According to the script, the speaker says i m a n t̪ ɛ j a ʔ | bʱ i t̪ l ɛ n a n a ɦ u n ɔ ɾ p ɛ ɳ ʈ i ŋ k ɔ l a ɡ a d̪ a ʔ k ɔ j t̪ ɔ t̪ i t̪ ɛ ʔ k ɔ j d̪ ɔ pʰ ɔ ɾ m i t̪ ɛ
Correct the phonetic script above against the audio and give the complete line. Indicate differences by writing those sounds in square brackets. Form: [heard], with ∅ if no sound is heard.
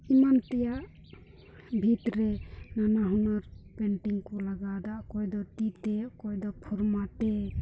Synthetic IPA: i m a n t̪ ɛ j a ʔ | bʱ i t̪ [ɾ] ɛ n a n a ɦ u n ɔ ɾ p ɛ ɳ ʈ i ŋ k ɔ l a ɡ a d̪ a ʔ k ɔ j [d̪] ɔ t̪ i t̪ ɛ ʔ k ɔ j d̪ ɔ pʰ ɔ ɾ m [a] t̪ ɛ